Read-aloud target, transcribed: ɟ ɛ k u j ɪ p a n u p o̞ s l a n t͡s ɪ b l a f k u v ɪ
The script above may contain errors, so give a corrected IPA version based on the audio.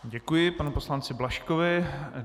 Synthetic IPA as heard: ɟ ɛ k u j ɪ p a n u p o̞ s l a n t͡s ɪ b l a ʃ k o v ɪ